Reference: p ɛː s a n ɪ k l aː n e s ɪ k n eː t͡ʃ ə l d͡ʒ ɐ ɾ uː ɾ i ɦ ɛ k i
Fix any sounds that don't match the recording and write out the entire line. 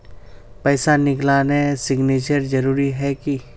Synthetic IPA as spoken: p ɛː s a n ɪ k l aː n e s ɪ ɡ n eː t͡ʃ ə ɾ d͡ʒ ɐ ɾ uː ɾ i ɦ ɛ k i